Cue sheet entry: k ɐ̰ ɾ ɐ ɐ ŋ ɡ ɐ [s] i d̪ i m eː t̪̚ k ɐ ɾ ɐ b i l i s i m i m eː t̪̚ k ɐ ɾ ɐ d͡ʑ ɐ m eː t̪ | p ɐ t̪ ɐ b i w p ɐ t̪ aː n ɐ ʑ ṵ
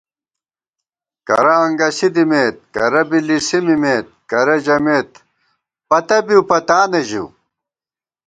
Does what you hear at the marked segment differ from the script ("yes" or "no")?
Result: no